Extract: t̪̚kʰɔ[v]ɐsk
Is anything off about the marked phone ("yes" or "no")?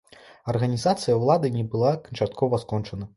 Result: no